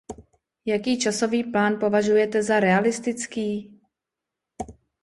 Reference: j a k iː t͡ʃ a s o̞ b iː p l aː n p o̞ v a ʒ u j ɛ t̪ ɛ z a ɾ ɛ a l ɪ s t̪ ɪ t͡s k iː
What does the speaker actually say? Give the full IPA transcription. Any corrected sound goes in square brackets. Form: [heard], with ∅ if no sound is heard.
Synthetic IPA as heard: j a k iː t͡ʃ a s o̞ [v] iː p l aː n p o̞ v a ʒ u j ɛ t̪ ɛ z a ɾ ɛ a l ɪ s t̪ ɪ t͡s k iː